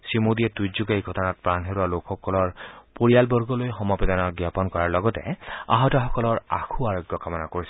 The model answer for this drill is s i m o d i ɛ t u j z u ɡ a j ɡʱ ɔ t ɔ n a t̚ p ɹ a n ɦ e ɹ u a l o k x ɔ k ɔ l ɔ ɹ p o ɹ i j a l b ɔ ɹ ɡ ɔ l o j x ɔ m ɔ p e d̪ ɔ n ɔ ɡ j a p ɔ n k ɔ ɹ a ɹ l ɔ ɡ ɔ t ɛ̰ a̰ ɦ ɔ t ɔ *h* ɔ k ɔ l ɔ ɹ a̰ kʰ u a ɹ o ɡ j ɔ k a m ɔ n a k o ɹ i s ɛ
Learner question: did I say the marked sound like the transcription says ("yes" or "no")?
no